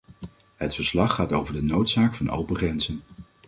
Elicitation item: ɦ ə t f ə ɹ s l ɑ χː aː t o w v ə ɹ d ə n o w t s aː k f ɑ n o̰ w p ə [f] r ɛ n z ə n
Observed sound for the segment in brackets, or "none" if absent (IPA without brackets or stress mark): χ